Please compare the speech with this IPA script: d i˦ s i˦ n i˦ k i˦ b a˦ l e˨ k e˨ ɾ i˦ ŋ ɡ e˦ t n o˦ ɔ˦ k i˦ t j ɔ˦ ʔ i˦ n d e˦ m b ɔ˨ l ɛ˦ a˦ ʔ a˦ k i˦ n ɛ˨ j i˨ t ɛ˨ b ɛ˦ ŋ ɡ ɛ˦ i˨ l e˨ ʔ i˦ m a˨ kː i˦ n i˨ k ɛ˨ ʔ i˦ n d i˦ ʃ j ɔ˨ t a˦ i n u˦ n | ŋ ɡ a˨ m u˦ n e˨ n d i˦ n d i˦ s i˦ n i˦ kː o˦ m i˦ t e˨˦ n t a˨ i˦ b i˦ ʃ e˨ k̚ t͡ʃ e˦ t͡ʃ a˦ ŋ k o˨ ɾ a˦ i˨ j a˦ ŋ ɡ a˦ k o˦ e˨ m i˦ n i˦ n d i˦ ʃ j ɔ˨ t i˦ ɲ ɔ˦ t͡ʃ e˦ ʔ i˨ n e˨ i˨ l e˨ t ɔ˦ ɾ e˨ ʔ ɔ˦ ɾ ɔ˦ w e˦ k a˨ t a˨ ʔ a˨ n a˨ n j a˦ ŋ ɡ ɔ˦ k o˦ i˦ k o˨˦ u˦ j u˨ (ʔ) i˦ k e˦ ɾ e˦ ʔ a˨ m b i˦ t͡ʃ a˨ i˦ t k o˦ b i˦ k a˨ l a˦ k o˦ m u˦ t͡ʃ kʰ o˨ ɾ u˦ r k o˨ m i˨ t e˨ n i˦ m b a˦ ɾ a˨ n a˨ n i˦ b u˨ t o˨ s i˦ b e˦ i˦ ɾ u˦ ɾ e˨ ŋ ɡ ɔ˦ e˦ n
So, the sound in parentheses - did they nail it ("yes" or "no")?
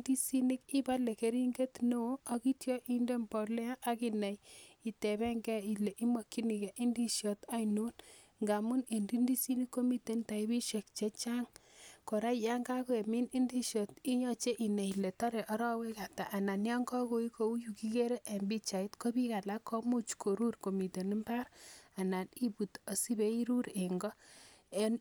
no